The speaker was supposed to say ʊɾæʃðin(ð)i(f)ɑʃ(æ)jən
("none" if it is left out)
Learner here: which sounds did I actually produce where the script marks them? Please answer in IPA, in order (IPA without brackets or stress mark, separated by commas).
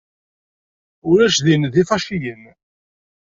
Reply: ð, f, i